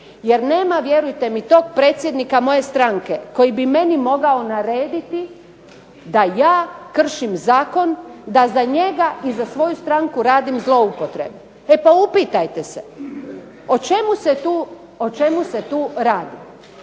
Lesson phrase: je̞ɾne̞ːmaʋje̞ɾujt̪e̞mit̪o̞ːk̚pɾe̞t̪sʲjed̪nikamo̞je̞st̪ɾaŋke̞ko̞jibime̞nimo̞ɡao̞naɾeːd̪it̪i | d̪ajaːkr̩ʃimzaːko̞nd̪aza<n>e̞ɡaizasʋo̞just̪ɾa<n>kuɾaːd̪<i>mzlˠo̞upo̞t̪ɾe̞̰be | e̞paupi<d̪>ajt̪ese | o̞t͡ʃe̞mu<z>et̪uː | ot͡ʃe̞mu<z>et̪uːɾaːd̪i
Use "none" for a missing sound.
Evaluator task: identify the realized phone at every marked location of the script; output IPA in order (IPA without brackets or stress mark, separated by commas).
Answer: ɲ, ŋ, i, t̪, s, s